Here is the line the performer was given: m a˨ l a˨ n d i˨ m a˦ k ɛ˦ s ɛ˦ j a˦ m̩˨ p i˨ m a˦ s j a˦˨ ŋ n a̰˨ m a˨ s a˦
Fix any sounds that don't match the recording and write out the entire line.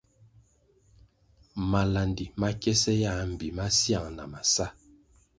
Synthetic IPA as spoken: m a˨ l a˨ n d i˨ m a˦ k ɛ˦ s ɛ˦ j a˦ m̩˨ b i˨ m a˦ s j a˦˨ ŋ n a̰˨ m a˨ s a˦